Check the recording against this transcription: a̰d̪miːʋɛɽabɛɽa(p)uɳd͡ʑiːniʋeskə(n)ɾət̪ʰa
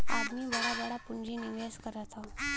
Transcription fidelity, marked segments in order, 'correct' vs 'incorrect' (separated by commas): correct, incorrect